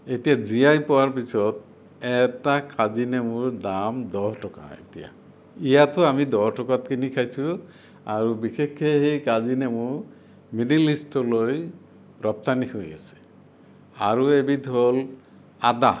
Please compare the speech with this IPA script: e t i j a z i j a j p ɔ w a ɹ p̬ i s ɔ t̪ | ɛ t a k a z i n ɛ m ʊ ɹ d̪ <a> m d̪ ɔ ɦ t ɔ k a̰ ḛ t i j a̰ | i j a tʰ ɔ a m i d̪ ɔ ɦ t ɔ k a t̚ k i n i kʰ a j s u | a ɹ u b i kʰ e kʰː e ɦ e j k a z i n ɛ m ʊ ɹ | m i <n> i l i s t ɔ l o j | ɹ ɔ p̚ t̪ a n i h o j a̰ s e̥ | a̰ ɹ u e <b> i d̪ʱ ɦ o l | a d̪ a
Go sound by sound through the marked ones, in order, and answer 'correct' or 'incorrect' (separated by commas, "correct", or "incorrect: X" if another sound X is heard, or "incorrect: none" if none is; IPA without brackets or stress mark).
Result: correct, correct, correct